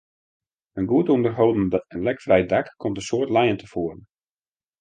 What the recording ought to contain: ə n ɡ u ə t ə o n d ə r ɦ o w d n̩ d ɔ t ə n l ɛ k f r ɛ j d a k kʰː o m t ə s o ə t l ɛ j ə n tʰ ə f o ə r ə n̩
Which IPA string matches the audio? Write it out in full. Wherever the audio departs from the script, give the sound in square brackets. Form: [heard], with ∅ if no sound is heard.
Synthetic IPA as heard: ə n ɡ u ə t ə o n d ə r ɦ o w d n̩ d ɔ t ə n l ɛ k f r ɛ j d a k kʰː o m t ə s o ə t l ɛ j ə n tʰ ə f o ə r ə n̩